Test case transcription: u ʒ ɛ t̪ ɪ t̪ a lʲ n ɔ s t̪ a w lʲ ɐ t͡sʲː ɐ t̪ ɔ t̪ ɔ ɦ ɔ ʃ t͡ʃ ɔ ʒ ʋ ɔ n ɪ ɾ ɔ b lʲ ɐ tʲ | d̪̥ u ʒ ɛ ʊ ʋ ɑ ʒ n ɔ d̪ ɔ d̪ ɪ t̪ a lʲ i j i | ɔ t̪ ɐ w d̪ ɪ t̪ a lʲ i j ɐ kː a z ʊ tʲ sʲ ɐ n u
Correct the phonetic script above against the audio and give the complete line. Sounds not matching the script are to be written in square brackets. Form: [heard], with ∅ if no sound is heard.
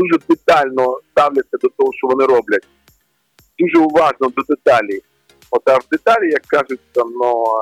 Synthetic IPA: u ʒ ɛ [d̪] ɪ t̪ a lʲ n ɔ s t̪ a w lʲ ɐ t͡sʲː ɐ [d̪] ɔ t̪ ɔ ɦ ɔ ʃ t͡ʃ ɔ [∅] ʋ ɔ n ɪ ɾ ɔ b lʲ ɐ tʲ | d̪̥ u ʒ ɛ ʊ ʋ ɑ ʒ n ɔ d̪ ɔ d̪ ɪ t̪ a lʲ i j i | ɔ t̪ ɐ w d̪ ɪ t̪ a lʲ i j ɐ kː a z ʊ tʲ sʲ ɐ n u